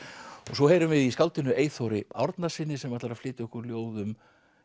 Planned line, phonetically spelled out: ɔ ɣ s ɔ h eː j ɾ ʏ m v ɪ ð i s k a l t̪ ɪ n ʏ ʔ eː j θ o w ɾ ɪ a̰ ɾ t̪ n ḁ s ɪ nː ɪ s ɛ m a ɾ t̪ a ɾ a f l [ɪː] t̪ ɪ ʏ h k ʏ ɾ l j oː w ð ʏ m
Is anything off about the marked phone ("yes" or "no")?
no